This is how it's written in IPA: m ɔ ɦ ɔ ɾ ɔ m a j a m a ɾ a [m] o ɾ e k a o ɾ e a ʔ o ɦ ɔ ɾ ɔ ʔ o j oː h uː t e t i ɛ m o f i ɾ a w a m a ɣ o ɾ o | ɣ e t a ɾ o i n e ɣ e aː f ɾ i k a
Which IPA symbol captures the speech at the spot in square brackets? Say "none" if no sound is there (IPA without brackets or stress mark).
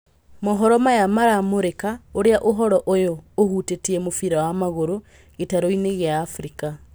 m